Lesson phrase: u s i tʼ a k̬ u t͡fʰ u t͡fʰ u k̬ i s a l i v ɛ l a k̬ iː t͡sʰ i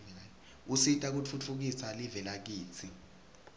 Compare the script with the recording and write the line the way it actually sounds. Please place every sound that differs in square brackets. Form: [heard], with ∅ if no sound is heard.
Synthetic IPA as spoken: u s i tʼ a k̬ u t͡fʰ u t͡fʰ u k̬ i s a l i v ɛ l a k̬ iː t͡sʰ i